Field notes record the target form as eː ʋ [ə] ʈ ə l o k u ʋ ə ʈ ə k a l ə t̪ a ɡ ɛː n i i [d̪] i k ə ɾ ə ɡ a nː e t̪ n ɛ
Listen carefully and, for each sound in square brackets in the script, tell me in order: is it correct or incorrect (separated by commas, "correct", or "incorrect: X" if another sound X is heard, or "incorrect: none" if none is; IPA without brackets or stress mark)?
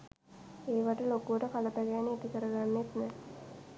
incorrect: a, incorrect: t̪